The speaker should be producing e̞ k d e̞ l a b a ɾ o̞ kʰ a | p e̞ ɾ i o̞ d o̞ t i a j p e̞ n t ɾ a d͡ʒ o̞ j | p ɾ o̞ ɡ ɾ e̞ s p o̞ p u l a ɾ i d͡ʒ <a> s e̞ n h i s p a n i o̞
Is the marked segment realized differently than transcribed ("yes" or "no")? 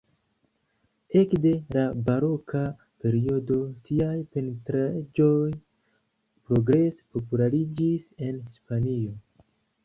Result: yes